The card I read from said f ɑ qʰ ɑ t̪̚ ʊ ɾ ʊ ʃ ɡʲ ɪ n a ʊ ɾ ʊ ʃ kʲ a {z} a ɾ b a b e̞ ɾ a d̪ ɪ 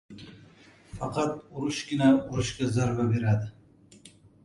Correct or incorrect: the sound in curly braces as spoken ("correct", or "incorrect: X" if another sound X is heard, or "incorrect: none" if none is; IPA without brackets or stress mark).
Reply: correct